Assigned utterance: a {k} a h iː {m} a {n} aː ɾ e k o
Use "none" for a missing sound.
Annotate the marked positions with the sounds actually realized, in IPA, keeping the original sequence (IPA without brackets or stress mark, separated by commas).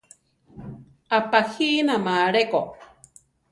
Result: p, n, m